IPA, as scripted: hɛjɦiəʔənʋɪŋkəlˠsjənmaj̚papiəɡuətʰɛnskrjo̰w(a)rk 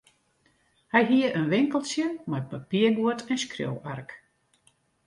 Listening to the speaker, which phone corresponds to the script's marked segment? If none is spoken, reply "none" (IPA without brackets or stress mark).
a